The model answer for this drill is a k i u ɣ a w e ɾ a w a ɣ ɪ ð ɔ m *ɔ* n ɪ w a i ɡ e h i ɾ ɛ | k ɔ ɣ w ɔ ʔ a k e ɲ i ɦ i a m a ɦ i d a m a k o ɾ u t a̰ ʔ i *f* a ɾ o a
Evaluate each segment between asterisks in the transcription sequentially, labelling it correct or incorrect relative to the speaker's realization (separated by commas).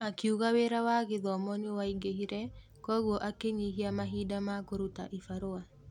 correct, correct